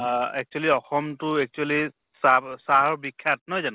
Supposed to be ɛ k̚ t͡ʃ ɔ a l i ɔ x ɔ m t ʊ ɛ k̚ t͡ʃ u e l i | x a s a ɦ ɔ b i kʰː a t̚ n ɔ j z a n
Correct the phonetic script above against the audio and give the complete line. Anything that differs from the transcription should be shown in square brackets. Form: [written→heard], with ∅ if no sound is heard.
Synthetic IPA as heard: ɛ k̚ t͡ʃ [ɔ→u] a l i ɔ x ɔ m t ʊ ɛ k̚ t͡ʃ u [e→a] l i | [x→s] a s a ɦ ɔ b i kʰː a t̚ n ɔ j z a n